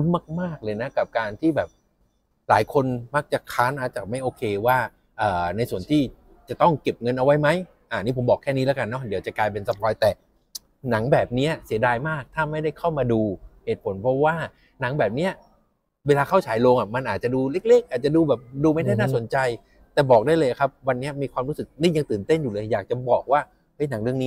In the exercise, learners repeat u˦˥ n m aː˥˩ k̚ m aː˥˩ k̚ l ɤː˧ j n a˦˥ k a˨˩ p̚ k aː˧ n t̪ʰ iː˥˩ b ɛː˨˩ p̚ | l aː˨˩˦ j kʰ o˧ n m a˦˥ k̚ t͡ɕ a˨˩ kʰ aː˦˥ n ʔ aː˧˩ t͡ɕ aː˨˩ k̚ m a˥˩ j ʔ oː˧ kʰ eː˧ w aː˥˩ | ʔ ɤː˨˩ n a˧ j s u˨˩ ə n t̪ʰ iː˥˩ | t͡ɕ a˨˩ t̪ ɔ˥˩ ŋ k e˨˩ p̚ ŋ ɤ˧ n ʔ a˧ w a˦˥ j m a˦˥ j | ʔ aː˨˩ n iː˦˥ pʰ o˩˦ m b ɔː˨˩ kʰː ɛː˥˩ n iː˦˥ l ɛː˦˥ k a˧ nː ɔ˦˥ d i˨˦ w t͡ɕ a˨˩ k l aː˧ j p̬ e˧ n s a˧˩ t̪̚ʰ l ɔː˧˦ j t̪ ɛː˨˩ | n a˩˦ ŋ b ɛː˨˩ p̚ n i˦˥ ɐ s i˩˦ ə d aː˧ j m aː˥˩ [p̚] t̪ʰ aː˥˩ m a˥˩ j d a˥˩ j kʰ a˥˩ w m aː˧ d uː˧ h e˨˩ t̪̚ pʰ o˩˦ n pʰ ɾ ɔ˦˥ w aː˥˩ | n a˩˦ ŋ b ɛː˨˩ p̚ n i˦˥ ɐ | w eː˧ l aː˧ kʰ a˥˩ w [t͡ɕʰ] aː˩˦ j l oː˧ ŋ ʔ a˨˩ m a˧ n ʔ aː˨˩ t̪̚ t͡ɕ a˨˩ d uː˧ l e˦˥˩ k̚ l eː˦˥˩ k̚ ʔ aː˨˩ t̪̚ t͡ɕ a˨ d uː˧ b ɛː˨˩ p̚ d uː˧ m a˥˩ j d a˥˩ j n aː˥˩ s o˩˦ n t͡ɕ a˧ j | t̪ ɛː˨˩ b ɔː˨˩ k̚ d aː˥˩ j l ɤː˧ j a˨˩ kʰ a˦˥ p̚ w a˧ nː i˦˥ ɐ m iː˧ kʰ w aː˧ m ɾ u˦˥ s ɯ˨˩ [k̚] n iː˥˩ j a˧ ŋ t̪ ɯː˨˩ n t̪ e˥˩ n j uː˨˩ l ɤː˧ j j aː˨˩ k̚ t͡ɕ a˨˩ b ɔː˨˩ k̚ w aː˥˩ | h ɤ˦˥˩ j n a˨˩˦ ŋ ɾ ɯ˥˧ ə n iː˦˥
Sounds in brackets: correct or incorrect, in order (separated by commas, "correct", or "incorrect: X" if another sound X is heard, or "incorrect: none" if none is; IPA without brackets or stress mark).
incorrect: k̚, correct, correct